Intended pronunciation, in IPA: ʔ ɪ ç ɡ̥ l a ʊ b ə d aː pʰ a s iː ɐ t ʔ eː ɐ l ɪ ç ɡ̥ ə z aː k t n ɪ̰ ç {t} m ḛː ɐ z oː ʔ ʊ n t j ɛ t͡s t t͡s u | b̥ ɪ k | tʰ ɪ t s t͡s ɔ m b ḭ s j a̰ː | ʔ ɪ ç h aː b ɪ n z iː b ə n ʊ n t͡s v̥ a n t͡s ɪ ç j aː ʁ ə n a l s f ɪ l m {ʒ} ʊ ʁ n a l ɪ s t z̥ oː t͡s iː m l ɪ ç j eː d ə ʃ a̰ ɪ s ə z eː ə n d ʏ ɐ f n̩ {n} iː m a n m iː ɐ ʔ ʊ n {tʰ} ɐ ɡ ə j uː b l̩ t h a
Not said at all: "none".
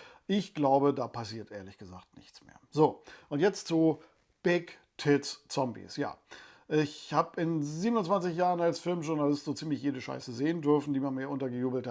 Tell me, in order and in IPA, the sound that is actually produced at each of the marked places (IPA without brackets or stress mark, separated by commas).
t͡s, ʒ, d, t